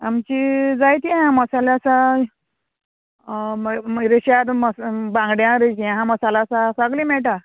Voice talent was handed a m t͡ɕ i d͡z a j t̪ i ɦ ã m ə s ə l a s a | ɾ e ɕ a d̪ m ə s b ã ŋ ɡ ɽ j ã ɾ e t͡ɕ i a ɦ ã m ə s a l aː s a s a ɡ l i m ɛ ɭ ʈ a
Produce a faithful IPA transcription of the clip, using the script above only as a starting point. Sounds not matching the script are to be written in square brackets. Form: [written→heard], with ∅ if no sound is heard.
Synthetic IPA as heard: a m t͡ɕ i d͡z a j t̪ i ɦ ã m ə s [ə→a] l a s a | ɾ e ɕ a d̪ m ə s b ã ŋ ɡ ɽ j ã ɾ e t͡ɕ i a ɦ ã m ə s a l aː s a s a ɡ l i m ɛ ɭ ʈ a